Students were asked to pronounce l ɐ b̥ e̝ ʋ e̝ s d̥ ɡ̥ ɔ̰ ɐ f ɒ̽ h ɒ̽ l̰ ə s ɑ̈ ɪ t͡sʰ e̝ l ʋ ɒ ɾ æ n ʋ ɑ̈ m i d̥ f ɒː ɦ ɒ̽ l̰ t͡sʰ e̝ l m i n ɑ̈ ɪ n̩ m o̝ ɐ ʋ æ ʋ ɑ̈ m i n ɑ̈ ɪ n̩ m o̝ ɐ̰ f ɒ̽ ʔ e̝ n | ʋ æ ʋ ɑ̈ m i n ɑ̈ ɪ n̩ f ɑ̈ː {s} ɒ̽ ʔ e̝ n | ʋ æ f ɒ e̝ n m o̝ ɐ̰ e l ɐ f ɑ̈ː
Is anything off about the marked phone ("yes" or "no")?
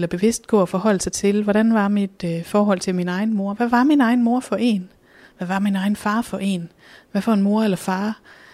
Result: yes